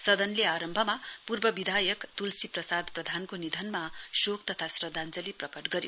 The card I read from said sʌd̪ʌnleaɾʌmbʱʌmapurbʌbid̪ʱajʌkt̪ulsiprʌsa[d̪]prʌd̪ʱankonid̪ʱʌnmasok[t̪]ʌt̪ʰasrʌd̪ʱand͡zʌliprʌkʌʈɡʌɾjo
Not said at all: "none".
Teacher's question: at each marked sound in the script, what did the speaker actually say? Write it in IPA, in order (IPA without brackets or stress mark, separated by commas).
d̪, t̪